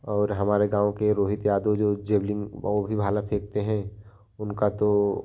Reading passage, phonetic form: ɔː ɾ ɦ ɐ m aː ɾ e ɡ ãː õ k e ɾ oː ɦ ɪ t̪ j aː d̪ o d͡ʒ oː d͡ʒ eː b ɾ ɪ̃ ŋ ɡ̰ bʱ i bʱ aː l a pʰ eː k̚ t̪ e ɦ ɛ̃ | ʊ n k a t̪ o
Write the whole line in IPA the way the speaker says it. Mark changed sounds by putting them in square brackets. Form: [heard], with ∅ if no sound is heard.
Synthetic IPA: ɔː ɾ ɦ ɐ m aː ɾ e ɡ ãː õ k e ɾ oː ɦ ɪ t̪ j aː d̪ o d͡ʒ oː d͡ʒ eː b [l] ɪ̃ ŋ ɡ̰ bʱ i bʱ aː l a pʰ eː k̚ t̪ e ɦ ɛ̃ | ʊ n k a t̪ o

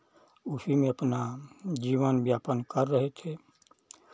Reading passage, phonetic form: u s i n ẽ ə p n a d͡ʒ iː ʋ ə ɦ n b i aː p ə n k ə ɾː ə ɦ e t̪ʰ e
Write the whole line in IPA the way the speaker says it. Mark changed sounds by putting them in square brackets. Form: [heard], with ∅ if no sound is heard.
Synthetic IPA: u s i [m] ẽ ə p n a d͡ʒ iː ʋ ə [∅] n b [j] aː p ə n k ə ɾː ə ɦ e t̪ʰ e

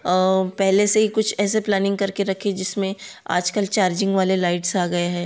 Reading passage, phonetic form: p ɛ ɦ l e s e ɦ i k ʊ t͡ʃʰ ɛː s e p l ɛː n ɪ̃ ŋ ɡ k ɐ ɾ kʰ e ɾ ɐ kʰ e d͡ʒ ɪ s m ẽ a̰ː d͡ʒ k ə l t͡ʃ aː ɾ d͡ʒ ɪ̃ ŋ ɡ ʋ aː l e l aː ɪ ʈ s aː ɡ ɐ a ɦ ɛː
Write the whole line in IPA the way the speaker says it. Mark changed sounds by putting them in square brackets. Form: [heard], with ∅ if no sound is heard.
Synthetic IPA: p ɛ ɦ l e s e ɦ i k ʊ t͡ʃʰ ɛː s e p l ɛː n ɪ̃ ŋ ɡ k ɐ ɾ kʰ e ɾ ɐ kʰ e d͡ʒ ɪ s m ẽ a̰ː d͡ʒ k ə l t͡ʃ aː ɾ d͡ʒ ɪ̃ ŋ ɡ ʋ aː l e l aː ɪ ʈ s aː ɡ ɐ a ɦ ɛː

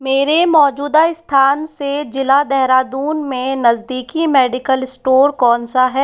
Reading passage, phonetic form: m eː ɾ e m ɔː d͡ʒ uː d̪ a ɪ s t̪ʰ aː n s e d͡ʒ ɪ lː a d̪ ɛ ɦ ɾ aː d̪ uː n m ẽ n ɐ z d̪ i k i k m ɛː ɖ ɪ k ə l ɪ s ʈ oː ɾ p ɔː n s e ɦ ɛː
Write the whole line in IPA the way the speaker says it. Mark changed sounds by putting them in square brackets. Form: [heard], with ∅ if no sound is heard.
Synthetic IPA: m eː ɾ e m ɔː d͡ʒ uː d̪ a ɪ s t̪ʰ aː n s e d͡ʒ ɪ [l] a d̪ ɛ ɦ ɾ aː d̪ uː n m ẽ n ɐ z d̪ [iː] k i [∅] m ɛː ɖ ɪ k ə l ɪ s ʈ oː ɾ [k] ɔː n s [a] ɦ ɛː

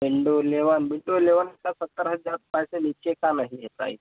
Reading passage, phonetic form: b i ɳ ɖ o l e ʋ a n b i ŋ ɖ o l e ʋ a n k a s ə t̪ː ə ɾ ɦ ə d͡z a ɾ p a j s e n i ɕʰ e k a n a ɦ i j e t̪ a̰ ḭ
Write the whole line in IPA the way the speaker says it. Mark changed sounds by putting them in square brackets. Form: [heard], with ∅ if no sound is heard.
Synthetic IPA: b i ɳ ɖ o l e ʋ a n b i [ɳ] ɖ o l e ʋ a n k a s ə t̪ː ə ɾ ɦ ə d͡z a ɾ p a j s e n i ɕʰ e k a n a ɦ i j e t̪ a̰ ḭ

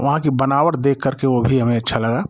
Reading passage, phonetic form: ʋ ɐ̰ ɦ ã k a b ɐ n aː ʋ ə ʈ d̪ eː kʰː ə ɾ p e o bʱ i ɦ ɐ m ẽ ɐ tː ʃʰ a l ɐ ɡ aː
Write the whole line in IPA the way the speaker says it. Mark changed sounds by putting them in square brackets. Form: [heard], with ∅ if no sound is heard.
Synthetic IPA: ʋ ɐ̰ ɦ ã k [i] b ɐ n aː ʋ ə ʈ d̪ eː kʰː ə ɾ [k] e o bʱ i ɦ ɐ m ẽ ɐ tː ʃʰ a l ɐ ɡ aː

